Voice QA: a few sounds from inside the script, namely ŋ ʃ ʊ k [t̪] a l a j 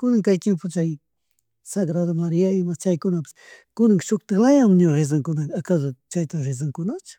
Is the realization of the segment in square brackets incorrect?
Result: no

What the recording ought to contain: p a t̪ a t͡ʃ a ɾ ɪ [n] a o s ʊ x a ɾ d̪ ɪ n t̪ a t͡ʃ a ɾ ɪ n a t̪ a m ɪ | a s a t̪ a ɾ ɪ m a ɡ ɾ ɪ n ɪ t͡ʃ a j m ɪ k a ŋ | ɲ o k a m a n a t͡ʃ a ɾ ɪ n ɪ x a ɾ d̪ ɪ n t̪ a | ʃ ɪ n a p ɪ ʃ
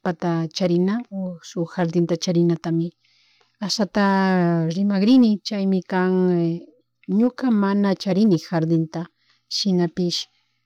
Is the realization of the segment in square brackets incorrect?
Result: no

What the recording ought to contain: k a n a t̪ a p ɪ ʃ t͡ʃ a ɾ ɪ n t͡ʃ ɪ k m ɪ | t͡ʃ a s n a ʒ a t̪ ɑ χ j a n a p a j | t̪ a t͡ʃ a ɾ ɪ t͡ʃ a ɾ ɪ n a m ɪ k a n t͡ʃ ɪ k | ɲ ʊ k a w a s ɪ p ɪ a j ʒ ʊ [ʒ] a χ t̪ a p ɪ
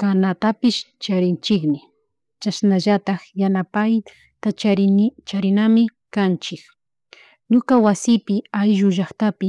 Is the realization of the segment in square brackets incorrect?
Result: no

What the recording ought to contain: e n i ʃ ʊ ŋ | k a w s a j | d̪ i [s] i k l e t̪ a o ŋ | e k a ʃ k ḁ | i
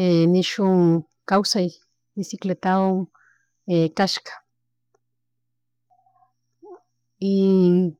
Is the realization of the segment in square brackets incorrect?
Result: no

